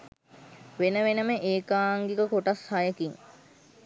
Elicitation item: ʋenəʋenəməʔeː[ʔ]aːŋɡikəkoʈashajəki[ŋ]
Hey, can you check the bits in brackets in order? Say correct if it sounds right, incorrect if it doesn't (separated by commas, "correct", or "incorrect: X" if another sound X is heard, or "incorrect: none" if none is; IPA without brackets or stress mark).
incorrect: k, correct